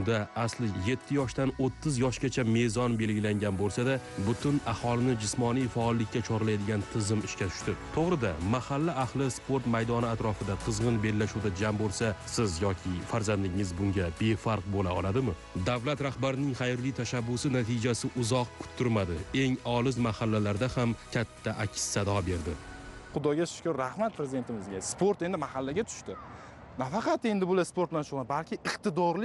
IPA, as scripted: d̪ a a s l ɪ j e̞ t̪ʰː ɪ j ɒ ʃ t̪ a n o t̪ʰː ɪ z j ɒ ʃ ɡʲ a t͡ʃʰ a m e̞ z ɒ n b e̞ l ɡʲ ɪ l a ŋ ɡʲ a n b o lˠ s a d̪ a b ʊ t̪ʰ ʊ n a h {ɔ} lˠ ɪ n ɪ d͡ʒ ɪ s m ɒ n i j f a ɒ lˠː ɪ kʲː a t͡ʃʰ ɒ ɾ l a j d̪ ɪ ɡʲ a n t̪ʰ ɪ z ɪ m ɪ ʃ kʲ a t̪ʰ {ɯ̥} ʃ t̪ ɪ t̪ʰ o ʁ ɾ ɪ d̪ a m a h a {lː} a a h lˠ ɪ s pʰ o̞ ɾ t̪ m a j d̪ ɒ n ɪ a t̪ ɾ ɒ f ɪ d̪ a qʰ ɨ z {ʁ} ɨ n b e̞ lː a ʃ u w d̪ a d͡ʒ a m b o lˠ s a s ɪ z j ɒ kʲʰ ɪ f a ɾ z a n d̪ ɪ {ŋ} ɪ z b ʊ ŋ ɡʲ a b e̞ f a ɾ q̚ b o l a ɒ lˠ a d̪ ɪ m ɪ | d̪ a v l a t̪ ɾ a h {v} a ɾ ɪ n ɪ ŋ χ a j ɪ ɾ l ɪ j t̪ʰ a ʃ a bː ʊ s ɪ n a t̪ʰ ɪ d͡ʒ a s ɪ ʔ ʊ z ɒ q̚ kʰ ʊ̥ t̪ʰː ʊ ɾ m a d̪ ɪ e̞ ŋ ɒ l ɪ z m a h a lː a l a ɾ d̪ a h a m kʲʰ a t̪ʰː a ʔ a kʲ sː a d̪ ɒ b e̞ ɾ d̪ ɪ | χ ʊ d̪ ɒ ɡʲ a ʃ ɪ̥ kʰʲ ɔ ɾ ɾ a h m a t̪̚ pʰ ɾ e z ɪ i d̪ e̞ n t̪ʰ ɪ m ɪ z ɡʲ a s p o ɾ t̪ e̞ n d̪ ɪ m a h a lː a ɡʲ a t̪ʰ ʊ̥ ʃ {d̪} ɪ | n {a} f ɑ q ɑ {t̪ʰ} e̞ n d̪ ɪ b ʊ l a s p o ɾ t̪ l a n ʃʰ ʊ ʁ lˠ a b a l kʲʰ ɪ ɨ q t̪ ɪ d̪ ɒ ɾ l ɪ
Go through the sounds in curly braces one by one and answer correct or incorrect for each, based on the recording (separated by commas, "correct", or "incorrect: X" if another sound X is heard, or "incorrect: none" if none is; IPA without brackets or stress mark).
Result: incorrect: ɒ, incorrect: ʊ̥, correct, correct, correct, incorrect: b, incorrect: t̪, correct, incorrect: t̪